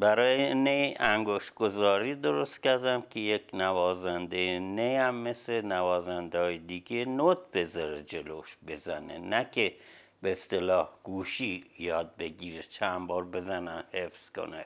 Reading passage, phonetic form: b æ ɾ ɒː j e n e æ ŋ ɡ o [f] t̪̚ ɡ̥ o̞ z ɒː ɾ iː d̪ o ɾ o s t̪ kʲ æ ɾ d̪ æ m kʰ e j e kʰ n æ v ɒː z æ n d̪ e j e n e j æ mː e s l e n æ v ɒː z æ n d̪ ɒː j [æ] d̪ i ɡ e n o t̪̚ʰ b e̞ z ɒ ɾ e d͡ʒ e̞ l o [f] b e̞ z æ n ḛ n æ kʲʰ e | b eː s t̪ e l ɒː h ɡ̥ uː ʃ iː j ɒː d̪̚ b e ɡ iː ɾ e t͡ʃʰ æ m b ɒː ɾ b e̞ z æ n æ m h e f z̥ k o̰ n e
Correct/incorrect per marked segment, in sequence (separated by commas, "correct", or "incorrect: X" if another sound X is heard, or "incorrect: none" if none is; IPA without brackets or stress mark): incorrect: ʃ, incorrect: e, incorrect: ʃ